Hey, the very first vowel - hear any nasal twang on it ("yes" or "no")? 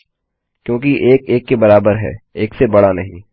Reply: yes